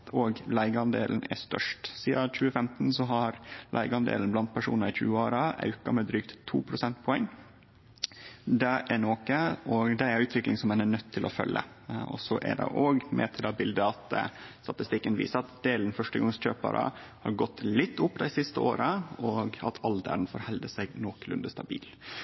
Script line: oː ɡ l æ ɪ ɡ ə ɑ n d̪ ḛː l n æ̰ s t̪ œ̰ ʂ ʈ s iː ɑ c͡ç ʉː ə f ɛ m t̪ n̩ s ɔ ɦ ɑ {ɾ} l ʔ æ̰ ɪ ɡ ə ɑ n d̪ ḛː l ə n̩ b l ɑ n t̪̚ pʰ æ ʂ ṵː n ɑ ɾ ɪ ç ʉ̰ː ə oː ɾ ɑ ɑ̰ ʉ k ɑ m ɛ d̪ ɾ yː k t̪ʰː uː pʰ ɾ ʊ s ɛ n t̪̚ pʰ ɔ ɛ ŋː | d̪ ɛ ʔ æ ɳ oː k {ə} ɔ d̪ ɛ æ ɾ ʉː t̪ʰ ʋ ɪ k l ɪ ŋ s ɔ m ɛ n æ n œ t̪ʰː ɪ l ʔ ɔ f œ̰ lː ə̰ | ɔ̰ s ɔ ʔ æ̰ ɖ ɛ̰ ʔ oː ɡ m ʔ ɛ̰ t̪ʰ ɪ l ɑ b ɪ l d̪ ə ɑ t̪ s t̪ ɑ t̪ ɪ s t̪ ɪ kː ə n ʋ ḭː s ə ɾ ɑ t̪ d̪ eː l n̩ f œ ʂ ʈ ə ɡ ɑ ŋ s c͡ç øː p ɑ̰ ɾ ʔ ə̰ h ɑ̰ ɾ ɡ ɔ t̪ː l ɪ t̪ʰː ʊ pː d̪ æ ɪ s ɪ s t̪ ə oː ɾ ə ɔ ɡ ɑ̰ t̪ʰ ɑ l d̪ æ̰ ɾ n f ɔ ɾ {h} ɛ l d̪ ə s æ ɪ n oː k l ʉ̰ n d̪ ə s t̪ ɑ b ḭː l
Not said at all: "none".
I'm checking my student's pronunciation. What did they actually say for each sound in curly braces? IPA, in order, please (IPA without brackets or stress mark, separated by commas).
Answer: ɾ, ə, h